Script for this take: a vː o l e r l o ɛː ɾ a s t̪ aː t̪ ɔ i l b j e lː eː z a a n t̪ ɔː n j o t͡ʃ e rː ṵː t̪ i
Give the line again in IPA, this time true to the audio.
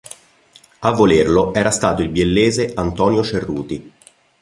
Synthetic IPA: a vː o l e r l o ɛː ɾ a s t̪ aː t̪ o i l b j e lː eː z e a n t̪ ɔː n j o t͡ʃ e rː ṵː t̪ i